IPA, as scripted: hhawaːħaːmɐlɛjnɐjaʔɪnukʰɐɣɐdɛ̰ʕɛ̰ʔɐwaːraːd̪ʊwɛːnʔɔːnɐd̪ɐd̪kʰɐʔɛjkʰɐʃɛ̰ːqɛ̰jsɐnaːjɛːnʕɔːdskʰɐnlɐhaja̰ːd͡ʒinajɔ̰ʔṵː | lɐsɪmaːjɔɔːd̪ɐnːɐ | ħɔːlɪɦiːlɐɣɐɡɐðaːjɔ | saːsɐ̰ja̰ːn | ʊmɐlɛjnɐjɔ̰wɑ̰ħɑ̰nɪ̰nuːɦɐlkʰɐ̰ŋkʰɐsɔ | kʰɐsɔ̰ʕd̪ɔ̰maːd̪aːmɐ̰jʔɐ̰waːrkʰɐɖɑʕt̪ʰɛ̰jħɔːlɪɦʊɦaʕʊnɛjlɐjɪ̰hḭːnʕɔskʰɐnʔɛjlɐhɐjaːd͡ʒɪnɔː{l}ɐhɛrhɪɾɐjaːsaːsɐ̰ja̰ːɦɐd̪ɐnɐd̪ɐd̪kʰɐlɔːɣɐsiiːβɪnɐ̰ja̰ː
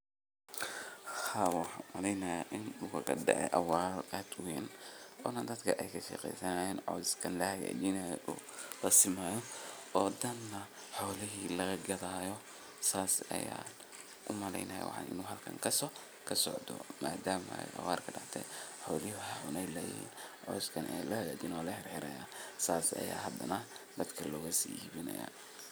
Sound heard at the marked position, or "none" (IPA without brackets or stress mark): l